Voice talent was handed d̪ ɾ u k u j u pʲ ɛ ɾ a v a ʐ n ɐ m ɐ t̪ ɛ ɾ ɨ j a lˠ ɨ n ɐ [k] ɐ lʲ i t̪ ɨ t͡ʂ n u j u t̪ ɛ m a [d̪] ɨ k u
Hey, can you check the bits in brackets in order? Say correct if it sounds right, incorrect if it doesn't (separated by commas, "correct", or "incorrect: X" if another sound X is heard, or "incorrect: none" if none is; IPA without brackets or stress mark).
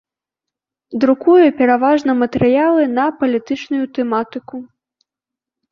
incorrect: p, incorrect: t̪